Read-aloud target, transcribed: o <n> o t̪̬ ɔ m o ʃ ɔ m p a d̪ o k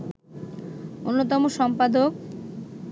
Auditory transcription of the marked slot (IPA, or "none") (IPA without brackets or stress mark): nː